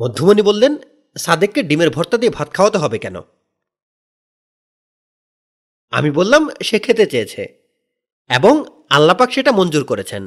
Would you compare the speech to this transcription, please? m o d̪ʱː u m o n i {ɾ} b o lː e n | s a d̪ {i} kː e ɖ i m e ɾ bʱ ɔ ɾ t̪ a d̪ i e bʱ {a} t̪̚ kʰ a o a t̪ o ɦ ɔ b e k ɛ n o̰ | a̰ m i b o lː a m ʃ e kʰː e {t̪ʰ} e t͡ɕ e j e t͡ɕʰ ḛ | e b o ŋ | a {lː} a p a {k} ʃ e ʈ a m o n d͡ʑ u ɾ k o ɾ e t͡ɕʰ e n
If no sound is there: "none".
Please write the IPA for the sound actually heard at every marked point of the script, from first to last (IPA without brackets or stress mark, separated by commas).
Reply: none, e, a, t̪, lː, k